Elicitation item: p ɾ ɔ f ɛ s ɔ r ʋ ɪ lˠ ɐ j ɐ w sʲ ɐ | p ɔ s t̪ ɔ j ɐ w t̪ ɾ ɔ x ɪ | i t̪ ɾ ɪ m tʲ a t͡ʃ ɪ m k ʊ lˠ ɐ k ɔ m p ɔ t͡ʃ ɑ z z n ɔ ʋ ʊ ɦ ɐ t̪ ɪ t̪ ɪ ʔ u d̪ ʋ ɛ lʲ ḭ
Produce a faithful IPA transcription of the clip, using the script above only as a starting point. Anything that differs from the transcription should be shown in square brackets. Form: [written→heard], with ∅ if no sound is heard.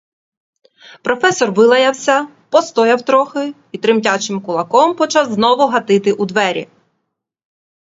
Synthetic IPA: p ɾ ɔ f ɛ s ɔ r ʋ ɪ lˠ ɐ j ɐ w sʲ ɐ | p ɔ s t̪ ɔ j ɐ w t̪ ɾ ɔ x ɪ | i t̪ ɾ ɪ m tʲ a t͡ʃ ɪ m k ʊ lˠ ɐ k ɔ m p ɔ t͡ʃ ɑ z z n ɔ ʋ ʊ ɦ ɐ t̪ ɪ t̪ ɪ ʔ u d̪ ʋ ɛ [lʲ→ɾʲ] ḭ